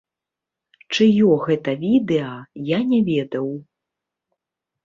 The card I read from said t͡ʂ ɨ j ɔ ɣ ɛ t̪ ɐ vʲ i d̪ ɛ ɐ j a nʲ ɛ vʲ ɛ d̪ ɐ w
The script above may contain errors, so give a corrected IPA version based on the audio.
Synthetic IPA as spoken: t͡ʂ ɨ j ɔ ɣ ɛ t̪ ɐ vʲ i d̪ ɛ ɐ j a nʲ ɛ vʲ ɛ d̪ ɐ w